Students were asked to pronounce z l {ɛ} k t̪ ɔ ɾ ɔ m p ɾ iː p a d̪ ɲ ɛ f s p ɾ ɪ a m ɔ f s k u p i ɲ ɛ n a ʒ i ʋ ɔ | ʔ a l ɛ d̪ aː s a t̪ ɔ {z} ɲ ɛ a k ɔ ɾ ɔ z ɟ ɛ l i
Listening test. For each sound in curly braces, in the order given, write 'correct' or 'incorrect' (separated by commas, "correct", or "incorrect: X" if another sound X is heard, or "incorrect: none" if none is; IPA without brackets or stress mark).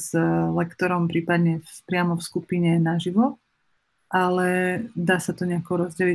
correct, incorrect: none